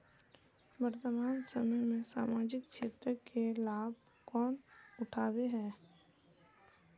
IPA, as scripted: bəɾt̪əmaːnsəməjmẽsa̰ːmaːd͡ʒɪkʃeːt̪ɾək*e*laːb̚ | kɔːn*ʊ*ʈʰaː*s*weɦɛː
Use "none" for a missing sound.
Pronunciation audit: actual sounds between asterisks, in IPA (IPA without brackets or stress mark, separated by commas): e, ʊ, none